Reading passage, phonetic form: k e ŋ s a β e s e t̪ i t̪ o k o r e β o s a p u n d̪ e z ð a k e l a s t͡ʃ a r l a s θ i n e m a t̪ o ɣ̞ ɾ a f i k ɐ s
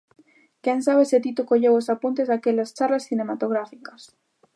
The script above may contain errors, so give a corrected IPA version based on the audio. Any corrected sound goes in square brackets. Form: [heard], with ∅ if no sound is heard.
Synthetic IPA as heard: k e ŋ s a β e s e t̪ i t̪ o k o [ʎ] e [w] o s a p u n [t̪] e z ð a k e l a s t͡ʃ a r l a s θ i n e m a t̪ o ɣ̞ ɾ a f i k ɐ s

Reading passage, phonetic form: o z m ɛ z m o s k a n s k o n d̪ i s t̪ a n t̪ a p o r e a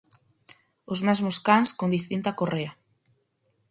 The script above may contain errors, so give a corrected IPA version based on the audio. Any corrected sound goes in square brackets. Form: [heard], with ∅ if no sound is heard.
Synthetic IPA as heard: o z m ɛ z m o s k a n s k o n d̪ i s t̪ [i] n t̪ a [k] o r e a

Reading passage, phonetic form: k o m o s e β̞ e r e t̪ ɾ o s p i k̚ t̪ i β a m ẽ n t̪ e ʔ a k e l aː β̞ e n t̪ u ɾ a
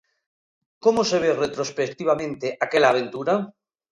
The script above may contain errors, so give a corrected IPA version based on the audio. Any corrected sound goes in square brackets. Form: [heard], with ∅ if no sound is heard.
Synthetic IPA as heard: k o m o s e β̞ e r e t̪ ɾ o s p [e] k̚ t̪ i β a m ẽ n t̪ e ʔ a k e l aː β̞ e n t̪ u ɾ a

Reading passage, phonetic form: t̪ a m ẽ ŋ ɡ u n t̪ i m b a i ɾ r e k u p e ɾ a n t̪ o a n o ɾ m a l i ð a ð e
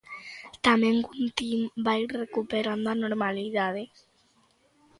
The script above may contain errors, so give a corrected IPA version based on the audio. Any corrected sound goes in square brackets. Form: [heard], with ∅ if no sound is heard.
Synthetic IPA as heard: t̪ a m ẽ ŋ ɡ u n t̪ i m b a i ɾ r e k u p e ɾ a n [d̪] o a n o ɾ m a l i ð a ð e

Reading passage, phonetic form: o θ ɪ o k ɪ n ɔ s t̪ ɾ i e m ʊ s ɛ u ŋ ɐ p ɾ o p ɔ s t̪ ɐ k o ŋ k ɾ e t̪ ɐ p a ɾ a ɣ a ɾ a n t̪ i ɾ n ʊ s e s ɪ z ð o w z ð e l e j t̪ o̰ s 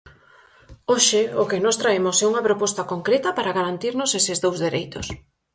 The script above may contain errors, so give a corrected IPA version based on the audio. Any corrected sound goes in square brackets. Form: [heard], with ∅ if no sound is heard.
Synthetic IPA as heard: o [ʃ] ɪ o k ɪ n ɔ s t̪ ɾ [a] e m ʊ s ɛ u ŋ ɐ p ɾ o p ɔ s t̪ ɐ k o ŋ k ɾ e t̪ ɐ p a ɾ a ɣ a ɾ a n t̪ i ɾ n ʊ s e s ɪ z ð o w z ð e [ɾ] e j t̪ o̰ s

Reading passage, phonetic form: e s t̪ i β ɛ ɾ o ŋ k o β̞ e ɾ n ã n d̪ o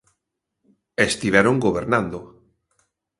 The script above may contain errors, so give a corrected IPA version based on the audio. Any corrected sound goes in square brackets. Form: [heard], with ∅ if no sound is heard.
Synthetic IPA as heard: e s t̪ i β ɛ ɾ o ŋ [ɡ] o β̞ e ɾ n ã n d̪ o

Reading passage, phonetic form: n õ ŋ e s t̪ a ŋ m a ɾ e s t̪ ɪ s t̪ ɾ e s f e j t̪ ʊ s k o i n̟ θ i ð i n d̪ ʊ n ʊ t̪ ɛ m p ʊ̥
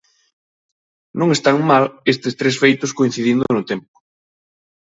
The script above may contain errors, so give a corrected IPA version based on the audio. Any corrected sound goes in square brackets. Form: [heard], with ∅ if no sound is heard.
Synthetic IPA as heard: n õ ŋ e s t̪ a ŋ m a [l] e s t̪ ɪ s t̪ ɾ e s f e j t̪ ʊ s k o i n̟ θ i ð i n d̪ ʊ n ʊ t̪ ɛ m p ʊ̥

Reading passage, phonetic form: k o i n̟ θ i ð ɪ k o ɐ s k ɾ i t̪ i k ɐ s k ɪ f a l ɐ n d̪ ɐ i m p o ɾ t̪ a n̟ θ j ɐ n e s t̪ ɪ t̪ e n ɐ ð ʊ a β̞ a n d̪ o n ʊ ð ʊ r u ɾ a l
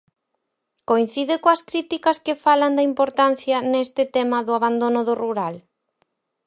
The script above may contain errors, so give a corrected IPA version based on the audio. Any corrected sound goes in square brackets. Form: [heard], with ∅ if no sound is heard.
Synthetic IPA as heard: k o i n̟ θ i ð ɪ k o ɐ s k ɾ i t̪ i k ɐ s k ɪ f a l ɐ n d̪ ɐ i m p o ɾ t̪ a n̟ θ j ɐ n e s t̪ ɪ t̪ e [m] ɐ ð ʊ a β̞ a n d̪ o n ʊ ð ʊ r u ɾ a l

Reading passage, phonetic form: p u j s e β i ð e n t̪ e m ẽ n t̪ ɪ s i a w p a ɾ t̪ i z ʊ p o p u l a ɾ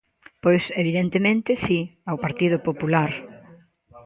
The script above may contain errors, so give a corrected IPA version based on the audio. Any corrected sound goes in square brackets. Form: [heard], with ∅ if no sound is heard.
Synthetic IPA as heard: p [o] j s e β i ð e n t̪ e m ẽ n t̪ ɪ s i a w p a ɾ t̪ i [ð] ʊ p o p u l a ɾ

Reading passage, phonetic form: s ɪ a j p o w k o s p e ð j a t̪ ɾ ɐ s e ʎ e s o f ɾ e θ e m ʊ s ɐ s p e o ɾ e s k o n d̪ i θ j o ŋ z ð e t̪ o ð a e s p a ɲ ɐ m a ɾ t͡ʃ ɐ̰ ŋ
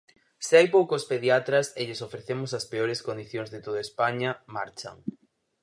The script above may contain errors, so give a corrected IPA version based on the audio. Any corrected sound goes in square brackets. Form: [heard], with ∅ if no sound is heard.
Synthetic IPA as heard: s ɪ a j p o w k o s p e ð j a t̪ ɾ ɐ s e ʎ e s o f ɾ e θ e m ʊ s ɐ s p e o ɾ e s k o n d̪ i θ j o ŋ z ð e t̪ o ð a e s p a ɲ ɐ m a ɾ t͡ʃ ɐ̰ ŋ

